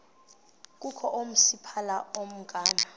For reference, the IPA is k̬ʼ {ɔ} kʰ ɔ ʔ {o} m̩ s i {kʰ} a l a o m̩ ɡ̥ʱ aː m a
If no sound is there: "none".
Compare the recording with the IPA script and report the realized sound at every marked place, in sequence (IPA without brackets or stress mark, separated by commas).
u, o, pʰ